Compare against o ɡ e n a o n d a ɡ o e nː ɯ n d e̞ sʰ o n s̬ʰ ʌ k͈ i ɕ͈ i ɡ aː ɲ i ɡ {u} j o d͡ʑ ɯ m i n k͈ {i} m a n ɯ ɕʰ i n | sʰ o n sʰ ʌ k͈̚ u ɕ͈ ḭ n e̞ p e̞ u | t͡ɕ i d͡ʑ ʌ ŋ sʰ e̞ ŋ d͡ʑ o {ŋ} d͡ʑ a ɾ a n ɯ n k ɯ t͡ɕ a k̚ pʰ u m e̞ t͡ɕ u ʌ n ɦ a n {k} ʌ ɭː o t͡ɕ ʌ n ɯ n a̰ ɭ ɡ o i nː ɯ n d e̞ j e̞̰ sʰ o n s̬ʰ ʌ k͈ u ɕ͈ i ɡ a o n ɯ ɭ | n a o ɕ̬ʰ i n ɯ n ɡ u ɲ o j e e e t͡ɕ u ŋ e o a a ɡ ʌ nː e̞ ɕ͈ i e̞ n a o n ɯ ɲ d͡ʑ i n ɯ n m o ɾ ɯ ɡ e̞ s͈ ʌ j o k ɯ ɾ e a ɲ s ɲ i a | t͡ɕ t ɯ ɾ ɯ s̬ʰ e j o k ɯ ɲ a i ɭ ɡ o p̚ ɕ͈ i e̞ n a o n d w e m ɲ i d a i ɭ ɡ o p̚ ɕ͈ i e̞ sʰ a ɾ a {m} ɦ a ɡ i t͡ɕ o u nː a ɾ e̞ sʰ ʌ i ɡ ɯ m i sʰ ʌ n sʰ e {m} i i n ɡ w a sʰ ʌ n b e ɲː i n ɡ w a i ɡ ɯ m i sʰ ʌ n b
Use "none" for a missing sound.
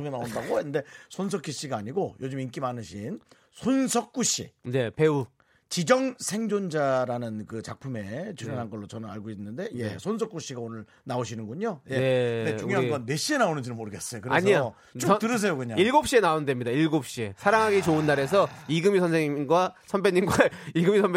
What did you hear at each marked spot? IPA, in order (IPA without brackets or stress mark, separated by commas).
o, i, n, ɡ, ŋ, ŋ